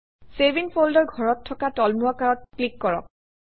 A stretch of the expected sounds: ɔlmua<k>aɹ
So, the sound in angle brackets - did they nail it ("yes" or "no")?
yes